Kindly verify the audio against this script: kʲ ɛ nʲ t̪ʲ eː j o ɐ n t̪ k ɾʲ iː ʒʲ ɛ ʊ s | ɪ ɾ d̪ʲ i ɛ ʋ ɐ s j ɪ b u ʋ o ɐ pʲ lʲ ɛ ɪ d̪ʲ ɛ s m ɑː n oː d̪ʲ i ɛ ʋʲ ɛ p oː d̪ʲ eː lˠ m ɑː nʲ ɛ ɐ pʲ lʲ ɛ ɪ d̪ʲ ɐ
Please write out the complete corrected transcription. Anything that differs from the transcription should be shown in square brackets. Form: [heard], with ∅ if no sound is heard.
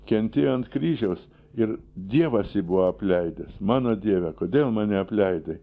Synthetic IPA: kʲ ɛ nʲ t̪ʲ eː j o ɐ n t̪ k ɾʲ iː ʒʲ ɛ ʊ s | ɪ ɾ d̪ʲ i ɛ ʋ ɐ s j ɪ b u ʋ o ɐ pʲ lʲ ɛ ɪ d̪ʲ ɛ s m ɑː n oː d̪ʲ i ɛ ʋʲ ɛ [k] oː d̪ʲ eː lˠ m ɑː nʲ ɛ ɐ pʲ lʲ ɛ ɪ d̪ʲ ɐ